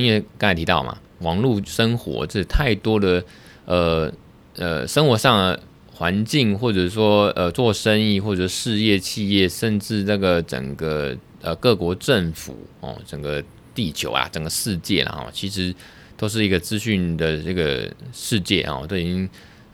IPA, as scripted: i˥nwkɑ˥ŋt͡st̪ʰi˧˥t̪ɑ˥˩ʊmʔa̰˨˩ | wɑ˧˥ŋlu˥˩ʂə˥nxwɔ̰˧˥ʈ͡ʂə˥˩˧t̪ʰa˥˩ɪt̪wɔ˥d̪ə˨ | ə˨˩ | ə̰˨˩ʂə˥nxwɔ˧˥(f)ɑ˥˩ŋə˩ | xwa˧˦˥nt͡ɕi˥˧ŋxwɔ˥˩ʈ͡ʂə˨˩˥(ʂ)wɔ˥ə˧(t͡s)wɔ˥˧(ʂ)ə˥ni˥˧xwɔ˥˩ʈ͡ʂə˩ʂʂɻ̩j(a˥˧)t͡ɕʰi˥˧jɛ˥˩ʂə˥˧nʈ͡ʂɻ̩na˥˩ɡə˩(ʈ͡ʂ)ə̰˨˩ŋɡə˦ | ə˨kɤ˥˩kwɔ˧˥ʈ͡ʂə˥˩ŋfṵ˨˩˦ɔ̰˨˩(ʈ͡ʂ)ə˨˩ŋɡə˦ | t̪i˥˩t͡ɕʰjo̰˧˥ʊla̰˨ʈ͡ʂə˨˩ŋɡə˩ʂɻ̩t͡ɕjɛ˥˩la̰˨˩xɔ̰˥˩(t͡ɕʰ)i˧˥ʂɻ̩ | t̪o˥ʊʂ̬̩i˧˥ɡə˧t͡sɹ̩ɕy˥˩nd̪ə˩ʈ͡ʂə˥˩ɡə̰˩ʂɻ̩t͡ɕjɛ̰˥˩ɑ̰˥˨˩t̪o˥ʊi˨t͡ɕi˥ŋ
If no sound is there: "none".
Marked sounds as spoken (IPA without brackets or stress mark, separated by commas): ʂ, ʂ, t͡s, ʂ, ɛ˥˧, ʈ͡ʂ, ʈ͡ʂ, t͡ɕʰ